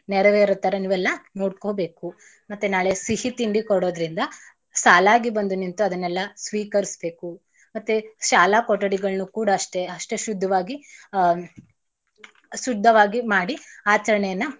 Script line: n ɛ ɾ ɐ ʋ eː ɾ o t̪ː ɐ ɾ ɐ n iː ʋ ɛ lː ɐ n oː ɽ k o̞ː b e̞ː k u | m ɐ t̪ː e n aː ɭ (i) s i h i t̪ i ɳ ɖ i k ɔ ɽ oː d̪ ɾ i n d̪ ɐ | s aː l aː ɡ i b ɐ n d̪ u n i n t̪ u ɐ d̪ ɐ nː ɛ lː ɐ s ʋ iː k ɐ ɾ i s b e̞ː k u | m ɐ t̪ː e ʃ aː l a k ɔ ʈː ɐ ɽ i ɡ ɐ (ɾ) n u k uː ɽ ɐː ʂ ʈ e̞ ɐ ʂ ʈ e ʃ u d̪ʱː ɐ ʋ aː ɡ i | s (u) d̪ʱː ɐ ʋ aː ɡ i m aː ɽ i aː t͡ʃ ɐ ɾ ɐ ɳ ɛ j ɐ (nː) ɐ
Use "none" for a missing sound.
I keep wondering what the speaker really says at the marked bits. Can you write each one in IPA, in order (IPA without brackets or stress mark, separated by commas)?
e, ɭ, u, nː